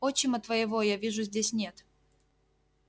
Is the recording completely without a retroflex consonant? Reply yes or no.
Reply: no